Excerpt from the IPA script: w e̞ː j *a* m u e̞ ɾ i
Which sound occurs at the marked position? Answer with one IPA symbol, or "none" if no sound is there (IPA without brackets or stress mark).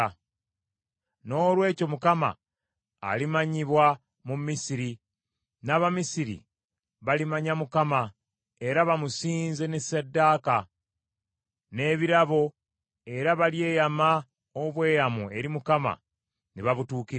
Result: a